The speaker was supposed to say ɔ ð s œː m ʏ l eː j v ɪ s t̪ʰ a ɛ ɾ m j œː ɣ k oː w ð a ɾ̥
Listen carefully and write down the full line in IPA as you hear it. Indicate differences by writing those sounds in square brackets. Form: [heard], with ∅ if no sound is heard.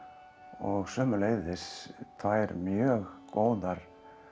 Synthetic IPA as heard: ɔ [ɣ] s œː m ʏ l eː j [ð] ɪ s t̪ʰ a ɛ ɾ m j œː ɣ k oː w ð a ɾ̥